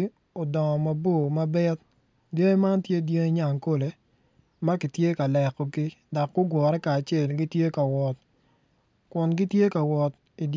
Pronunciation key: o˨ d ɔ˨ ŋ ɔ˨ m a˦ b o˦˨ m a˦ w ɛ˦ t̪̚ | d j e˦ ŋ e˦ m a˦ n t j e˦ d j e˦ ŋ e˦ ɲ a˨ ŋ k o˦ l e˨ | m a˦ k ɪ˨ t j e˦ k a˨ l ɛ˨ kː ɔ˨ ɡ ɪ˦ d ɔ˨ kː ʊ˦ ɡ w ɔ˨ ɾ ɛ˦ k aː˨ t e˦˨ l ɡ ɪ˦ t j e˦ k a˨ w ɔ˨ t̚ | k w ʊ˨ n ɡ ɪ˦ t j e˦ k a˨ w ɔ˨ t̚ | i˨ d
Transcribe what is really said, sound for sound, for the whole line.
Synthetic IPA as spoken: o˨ d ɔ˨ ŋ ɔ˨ m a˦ b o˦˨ m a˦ b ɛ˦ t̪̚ | d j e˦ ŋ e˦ m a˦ n t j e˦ d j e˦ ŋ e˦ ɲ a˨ ŋ k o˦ l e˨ | m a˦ k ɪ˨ t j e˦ k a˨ l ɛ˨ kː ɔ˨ ɡ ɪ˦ d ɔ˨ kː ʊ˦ ɡ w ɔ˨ ɾ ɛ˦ k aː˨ t͡ʃ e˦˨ l ɡ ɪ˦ t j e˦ k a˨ w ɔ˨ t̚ | k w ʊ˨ n ɡ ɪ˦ t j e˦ k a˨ w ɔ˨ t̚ | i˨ d